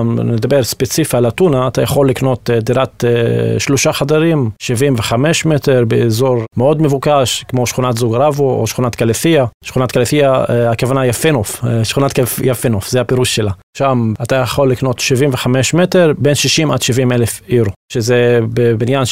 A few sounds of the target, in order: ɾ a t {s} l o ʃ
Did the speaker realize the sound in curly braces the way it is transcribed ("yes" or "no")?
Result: no